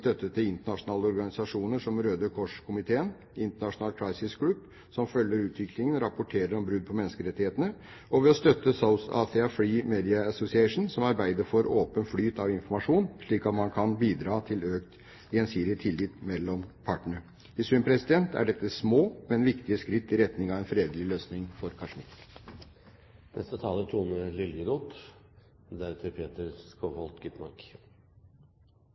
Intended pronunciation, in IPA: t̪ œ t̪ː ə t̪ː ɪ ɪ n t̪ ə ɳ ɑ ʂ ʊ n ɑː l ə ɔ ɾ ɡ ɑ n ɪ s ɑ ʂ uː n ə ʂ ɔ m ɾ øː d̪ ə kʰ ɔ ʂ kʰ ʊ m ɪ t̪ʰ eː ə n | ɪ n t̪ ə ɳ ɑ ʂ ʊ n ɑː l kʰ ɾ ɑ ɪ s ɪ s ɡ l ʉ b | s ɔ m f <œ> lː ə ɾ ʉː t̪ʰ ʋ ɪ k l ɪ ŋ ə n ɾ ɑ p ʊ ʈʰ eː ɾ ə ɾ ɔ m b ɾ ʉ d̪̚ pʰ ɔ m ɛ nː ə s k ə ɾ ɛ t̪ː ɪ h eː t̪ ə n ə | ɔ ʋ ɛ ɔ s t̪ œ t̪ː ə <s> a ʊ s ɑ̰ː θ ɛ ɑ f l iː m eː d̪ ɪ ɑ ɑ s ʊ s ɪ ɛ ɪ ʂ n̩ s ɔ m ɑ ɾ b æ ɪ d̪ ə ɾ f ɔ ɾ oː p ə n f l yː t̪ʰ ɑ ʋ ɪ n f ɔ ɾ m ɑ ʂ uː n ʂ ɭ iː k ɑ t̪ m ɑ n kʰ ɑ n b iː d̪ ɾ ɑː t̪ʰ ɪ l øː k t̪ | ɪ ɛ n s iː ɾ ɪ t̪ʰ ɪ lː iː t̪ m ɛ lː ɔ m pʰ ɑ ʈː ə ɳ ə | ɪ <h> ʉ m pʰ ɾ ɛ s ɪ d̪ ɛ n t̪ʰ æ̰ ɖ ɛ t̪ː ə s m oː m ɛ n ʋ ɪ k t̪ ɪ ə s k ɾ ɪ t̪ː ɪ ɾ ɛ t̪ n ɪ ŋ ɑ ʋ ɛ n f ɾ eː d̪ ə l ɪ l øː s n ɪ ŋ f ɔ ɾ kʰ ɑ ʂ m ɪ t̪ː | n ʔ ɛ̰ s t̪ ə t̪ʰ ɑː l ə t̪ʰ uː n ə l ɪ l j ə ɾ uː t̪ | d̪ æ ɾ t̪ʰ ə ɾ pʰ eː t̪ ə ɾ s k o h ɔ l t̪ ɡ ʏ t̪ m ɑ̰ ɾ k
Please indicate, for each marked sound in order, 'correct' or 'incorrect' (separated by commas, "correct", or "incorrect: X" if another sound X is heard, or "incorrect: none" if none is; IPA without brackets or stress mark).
correct, correct, incorrect: s